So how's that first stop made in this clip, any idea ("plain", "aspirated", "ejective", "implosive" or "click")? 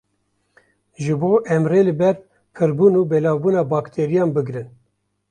plain